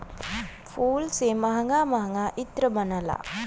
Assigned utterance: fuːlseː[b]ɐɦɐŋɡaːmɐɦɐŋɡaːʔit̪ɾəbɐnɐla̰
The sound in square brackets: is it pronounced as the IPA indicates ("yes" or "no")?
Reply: no